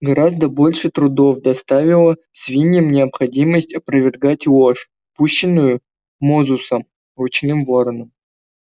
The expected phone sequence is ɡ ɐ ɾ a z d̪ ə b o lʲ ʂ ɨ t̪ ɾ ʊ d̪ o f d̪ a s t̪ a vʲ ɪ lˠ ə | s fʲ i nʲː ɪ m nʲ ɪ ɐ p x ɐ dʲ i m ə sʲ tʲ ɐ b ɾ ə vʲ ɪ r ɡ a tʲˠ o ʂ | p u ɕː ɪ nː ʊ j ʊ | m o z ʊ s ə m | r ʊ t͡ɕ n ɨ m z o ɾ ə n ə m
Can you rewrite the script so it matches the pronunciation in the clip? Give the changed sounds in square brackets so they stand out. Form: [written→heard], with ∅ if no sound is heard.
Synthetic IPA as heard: ɡ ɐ ɾ a z d̪ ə b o lʲ ʂ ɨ t̪ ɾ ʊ d̪ o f d̪ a s t̪ a vʲ ɪ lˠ ə | s [fʲ→vʲ] i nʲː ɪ m nʲ ɪ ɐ p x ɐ dʲ i m ə sʲ tʲ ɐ [b→p] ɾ ə vʲ ɪ r ɡ a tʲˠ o ʂ | p u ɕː ɪ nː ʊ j ʊ | m o z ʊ s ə m | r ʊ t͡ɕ n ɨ m [z→v] o ɾ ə n ə m